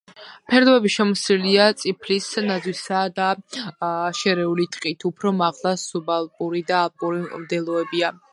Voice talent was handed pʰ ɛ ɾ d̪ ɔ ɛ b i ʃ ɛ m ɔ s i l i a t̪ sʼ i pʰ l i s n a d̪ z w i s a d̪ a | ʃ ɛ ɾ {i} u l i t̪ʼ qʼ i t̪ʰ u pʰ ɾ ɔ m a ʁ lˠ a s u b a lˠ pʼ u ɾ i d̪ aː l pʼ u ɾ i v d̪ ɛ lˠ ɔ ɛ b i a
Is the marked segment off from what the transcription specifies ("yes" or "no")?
yes